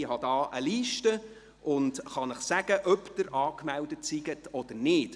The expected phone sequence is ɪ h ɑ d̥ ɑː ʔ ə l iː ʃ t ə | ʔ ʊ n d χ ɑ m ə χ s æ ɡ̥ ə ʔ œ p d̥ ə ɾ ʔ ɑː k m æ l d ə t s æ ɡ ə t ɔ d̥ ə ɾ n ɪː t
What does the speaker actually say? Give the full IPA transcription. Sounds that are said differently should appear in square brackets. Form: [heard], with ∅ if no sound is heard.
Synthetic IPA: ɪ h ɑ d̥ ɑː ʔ ə l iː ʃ t ə | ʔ ʊ n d χ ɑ [n] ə χ s æ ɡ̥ ə ʔ œ p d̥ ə ɾ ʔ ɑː k m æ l d ə t s [i] ɡ ə t ɔ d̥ ə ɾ n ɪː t